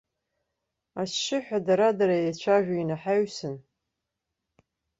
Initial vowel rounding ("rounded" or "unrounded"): unrounded